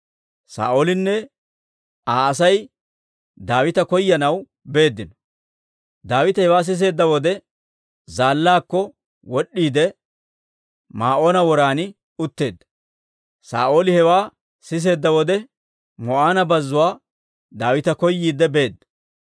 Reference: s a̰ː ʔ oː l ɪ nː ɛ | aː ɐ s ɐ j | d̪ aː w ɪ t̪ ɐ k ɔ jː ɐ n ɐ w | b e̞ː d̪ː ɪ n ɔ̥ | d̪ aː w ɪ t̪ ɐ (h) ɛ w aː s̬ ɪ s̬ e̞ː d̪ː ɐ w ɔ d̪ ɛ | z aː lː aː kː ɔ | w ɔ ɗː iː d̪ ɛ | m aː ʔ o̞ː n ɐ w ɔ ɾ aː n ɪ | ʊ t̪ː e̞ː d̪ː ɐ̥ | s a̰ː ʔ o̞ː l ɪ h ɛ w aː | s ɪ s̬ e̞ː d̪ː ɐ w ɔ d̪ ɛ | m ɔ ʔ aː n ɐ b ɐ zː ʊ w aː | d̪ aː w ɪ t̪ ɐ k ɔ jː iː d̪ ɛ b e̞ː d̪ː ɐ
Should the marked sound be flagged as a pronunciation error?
no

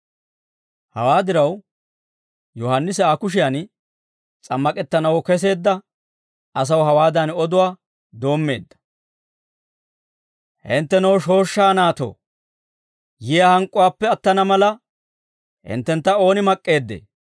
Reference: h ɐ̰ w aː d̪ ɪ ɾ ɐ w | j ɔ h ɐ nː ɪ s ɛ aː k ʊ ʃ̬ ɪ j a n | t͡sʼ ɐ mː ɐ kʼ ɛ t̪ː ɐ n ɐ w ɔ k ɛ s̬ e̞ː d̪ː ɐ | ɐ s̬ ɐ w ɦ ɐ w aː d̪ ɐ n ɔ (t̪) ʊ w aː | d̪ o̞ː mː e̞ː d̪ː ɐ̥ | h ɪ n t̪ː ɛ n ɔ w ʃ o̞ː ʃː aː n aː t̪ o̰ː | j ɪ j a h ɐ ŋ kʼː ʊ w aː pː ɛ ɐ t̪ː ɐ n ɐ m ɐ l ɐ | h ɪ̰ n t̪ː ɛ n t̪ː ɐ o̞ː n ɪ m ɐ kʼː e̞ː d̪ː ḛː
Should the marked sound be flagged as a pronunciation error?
yes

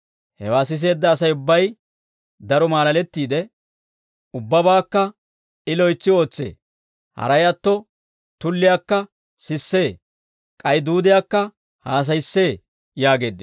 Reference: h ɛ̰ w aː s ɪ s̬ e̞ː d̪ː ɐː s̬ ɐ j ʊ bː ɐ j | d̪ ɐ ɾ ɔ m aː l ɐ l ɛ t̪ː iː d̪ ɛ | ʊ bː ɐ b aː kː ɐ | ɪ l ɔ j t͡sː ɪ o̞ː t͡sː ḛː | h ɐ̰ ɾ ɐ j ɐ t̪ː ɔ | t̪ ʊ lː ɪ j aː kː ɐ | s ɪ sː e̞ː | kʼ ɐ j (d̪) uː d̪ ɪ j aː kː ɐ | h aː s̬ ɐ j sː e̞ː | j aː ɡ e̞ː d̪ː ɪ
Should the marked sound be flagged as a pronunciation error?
no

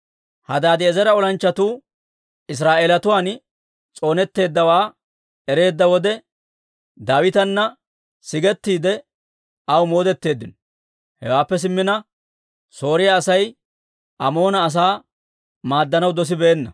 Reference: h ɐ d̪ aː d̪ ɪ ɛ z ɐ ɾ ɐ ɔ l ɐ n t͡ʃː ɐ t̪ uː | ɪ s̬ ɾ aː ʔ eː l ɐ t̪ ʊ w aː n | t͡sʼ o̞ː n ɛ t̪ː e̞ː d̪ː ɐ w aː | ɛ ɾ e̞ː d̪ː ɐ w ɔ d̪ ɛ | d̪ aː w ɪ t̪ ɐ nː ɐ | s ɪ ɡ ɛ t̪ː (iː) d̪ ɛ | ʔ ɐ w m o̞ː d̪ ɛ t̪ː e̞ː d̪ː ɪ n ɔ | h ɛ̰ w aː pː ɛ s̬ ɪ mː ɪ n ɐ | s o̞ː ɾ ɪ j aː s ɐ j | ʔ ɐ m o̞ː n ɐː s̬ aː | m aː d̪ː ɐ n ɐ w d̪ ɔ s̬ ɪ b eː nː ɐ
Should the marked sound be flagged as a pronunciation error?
no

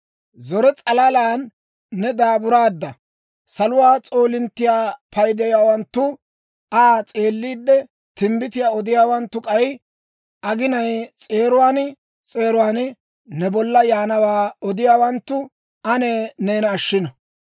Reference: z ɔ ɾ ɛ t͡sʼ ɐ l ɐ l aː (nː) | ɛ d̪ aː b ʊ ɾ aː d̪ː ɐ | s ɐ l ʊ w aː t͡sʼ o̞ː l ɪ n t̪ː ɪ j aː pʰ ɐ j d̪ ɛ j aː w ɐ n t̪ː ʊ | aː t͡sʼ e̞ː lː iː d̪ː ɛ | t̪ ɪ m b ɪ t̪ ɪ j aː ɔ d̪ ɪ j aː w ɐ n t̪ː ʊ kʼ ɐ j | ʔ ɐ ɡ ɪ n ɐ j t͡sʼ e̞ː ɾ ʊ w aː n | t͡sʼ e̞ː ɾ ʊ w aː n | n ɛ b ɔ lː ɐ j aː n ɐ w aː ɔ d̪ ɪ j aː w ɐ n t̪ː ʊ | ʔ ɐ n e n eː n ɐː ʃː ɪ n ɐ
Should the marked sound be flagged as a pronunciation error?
no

